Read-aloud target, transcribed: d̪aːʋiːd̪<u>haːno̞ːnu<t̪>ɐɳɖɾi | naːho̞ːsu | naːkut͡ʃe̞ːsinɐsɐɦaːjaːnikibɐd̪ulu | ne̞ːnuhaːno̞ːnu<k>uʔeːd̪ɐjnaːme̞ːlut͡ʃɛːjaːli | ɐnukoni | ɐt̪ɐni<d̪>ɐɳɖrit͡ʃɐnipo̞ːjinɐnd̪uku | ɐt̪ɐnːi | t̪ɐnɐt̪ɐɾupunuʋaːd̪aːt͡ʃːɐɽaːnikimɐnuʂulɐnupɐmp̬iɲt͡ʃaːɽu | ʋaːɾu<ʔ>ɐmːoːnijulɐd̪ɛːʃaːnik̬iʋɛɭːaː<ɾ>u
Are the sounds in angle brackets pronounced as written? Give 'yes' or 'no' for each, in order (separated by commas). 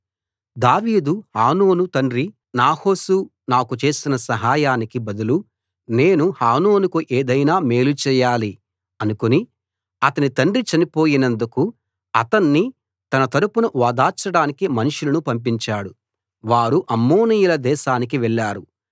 yes, yes, yes, no, yes, yes